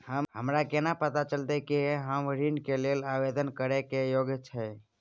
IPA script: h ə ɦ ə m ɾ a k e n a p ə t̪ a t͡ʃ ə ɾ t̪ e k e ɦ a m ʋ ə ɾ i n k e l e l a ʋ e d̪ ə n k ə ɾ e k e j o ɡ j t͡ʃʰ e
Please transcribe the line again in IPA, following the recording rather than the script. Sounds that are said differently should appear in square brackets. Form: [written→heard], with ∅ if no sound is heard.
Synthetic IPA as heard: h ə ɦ ə m ɾ a k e n a p ə t̪ a t͡ʃ ə [ɾ→l] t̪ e k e ɦ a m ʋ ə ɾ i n k e l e l a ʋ e d̪ ə n k ə ɾ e k e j o ɡ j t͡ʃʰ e